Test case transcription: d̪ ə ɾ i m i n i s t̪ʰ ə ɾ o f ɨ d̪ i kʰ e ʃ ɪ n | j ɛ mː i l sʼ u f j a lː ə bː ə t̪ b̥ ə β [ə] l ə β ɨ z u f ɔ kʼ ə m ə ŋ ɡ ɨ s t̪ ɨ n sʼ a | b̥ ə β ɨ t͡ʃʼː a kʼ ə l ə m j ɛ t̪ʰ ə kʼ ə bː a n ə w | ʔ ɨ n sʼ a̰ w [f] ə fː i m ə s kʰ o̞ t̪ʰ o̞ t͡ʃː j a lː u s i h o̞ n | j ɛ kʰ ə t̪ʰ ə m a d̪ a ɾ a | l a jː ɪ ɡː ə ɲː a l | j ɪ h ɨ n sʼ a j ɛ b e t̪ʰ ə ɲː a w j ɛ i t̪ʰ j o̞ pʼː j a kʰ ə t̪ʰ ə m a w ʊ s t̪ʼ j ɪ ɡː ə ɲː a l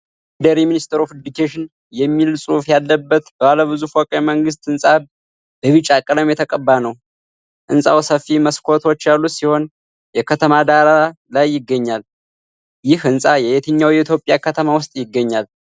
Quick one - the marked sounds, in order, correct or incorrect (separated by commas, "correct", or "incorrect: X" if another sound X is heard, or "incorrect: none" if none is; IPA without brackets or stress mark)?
incorrect: a, incorrect: s